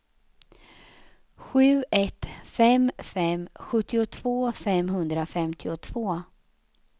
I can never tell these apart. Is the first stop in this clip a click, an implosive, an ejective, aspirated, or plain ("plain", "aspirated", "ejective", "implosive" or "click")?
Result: plain